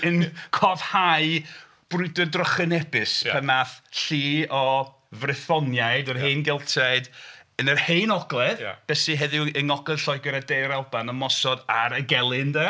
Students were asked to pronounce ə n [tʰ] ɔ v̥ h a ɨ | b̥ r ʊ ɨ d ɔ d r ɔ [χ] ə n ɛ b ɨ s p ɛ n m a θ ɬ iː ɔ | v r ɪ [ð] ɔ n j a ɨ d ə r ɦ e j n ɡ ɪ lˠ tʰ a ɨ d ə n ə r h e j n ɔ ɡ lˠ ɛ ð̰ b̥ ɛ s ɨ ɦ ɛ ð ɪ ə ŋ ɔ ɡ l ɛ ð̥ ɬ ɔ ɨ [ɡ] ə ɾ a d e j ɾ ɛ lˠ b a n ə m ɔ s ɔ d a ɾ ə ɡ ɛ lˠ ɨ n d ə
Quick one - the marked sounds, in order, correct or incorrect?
incorrect, correct, incorrect, correct

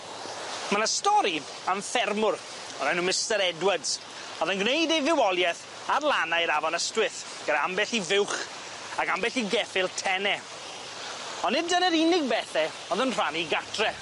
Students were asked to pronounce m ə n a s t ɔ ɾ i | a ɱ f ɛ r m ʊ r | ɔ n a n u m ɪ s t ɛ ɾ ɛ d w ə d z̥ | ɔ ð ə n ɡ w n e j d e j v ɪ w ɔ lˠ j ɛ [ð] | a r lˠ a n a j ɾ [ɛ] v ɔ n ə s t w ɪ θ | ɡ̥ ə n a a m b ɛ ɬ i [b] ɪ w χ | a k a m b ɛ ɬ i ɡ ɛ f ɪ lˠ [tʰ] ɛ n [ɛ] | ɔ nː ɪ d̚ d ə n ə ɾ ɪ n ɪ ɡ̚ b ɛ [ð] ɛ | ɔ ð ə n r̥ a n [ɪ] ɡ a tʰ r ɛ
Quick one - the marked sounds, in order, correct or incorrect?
incorrect, incorrect, incorrect, correct, correct, incorrect, incorrect

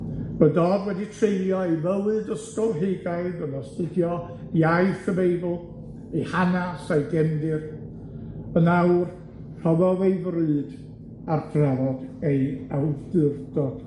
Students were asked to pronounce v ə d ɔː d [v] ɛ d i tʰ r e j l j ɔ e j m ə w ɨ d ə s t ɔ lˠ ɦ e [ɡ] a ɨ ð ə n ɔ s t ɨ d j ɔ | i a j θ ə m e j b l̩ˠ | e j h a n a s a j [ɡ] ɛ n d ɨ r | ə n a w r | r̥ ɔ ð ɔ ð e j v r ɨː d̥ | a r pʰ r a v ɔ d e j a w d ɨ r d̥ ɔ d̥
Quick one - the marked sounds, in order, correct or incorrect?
incorrect, correct, correct

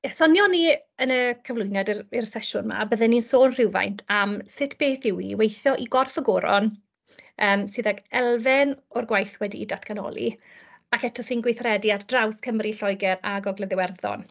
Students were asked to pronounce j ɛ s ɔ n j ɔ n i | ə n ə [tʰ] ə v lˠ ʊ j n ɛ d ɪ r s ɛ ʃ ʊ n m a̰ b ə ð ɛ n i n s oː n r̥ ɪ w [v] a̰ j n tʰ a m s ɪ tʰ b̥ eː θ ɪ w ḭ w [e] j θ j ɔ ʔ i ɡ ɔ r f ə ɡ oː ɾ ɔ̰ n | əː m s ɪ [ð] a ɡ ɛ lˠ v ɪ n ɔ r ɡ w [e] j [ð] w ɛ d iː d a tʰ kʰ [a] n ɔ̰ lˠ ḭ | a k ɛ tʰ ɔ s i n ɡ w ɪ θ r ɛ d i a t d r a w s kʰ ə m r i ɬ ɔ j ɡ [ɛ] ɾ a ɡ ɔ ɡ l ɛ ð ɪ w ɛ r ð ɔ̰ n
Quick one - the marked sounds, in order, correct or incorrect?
incorrect, correct, correct, correct, incorrect, incorrect, correct, correct

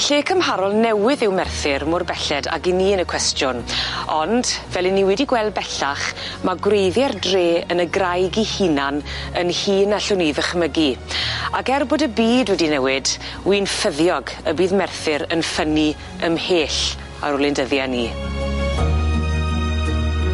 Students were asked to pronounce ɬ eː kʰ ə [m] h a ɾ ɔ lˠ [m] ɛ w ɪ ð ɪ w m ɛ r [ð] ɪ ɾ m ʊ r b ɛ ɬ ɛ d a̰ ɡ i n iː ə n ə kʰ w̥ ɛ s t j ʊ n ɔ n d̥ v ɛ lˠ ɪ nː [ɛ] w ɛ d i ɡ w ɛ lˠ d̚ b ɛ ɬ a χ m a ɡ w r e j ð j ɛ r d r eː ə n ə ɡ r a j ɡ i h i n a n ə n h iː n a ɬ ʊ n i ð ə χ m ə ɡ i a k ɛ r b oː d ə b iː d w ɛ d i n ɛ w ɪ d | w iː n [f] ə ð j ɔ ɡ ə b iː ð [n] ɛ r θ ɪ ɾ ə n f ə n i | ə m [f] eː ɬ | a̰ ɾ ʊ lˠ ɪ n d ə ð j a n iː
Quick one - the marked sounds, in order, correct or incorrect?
correct, incorrect, incorrect, incorrect, correct, incorrect, incorrect

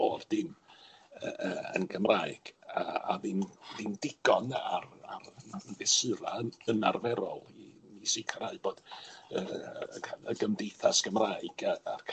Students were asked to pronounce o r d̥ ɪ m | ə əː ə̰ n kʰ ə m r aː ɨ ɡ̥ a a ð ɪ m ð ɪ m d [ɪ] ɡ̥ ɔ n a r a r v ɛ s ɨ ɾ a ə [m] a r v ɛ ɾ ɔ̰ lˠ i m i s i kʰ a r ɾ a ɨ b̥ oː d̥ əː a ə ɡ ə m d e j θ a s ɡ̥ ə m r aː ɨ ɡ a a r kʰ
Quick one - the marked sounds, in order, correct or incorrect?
correct, incorrect

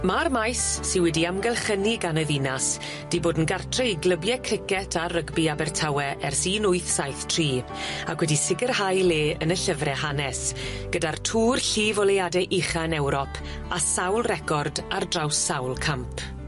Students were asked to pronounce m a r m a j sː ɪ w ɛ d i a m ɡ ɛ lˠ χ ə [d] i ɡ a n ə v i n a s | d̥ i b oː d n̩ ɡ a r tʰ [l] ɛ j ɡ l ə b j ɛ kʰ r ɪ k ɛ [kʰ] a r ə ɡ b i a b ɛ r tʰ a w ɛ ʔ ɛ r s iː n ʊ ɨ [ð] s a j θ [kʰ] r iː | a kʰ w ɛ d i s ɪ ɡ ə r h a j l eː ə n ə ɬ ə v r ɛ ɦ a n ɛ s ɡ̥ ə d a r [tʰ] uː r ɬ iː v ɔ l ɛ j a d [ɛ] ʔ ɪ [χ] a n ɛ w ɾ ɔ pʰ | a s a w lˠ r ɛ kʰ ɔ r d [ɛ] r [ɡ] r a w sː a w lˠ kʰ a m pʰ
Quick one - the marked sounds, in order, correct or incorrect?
incorrect, incorrect, incorrect, incorrect, incorrect, correct, correct, correct, incorrect, incorrect

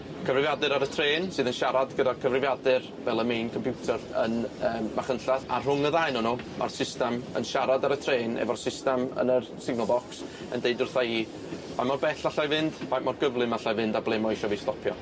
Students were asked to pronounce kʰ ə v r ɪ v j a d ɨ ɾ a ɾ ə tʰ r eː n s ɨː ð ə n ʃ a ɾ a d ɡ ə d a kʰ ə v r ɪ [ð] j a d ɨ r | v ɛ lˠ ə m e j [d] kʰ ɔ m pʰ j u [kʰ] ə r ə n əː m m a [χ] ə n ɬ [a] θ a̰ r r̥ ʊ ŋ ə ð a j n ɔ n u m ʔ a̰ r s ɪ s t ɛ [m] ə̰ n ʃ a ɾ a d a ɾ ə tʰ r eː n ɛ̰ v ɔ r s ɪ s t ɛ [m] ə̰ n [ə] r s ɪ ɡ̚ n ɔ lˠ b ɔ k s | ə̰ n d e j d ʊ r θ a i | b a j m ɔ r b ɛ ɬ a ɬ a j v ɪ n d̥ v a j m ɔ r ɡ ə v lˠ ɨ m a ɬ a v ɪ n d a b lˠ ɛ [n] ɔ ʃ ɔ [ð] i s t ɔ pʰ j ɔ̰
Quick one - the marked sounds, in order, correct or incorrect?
incorrect, incorrect, incorrect, correct, correct, correct, correct, correct, incorrect, incorrect

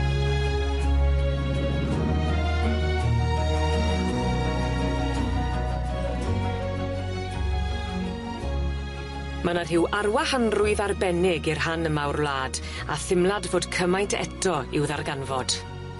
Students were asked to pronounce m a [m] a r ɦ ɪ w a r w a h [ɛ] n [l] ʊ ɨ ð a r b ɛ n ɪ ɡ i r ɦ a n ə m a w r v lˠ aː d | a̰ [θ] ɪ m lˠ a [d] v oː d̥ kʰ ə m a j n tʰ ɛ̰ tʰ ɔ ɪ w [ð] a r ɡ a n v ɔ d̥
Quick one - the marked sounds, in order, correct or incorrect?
incorrect, incorrect, incorrect, correct, correct, correct

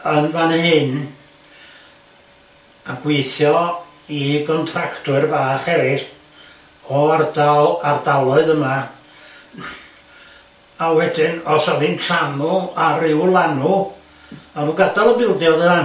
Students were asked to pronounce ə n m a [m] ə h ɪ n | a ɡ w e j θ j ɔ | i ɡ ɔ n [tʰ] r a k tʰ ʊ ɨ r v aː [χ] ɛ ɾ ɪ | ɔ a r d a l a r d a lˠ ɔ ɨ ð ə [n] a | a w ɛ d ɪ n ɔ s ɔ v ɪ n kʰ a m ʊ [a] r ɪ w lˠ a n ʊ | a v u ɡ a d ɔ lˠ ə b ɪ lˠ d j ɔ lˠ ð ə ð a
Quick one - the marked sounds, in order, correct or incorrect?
incorrect, correct, correct, incorrect, correct

